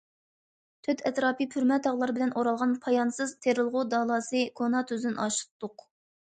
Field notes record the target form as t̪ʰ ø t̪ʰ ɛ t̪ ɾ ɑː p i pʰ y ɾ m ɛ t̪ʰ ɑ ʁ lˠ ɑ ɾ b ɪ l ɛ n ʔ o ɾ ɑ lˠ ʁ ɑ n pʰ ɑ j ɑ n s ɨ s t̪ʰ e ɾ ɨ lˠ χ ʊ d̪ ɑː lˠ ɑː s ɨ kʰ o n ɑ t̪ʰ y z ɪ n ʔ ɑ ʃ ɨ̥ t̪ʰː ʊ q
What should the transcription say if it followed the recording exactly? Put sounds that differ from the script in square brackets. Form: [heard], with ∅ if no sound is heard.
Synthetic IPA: t̪ʰ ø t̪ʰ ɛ t̪ ɾ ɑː p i pʰ y ɾ m ɛ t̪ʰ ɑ ʁ lˠ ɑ ɾ b ɪ l ɛ n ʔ o ɾ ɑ lˠ ʁ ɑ n pʰ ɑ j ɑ n s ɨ [z] t̪ʰ e ɾ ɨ lˠ [ʁ] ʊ d̪ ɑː lˠ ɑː s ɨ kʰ o n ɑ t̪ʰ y z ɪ n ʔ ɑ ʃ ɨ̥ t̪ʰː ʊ q